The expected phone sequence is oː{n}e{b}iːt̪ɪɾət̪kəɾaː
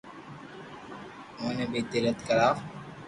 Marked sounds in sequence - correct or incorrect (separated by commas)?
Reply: correct, correct